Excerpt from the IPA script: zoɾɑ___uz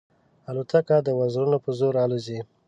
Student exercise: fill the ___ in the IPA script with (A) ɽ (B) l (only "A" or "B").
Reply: B